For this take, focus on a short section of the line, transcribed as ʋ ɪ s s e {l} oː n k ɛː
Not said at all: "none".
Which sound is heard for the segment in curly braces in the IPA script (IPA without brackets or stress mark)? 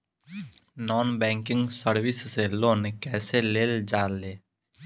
l